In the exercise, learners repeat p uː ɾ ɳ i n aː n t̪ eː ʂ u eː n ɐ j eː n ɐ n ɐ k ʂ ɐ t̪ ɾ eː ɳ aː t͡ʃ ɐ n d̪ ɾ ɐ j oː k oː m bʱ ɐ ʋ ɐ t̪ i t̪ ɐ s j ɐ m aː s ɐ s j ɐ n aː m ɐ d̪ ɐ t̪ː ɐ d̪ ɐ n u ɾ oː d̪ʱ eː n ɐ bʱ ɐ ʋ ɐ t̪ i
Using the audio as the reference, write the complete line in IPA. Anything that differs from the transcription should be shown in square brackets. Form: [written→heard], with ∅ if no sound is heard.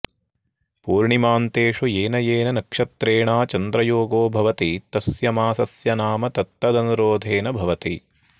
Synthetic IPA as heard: p uː ɾ ɳ i [n→m] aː n t̪ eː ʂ u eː n ɐ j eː n ɐ n ɐ k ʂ ɐ t̪ ɾ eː ɳ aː t͡ʃ ɐ n d̪ ɾ ɐ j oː [k→ɡ] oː [m→∅] bʱ ɐ ʋ ɐ t̪ i t̪ ɐ s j ɐ m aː s ɐ s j ɐ n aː m ɐ [d̪→t̪] ɐ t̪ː ɐ d̪ ɐ n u ɾ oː d̪ʱ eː n ɐ bʱ ɐ ʋ ɐ t̪ i